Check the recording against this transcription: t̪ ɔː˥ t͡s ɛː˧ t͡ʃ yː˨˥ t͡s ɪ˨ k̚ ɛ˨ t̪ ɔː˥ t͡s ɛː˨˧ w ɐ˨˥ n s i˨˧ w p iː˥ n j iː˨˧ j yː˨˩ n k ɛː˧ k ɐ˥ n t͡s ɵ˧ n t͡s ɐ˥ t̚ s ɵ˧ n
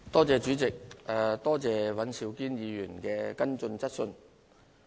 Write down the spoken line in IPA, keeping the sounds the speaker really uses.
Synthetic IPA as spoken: t̪ ɔː˥ t͡s ɛː˧ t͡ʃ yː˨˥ t͡s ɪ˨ k̚ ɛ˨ t̪ ɔː˥ t͡s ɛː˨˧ w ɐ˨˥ n s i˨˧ w k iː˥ n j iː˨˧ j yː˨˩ n k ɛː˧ k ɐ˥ n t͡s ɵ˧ n t͡s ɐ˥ t̚ s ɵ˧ n